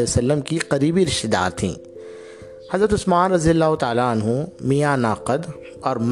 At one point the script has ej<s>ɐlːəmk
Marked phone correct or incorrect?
correct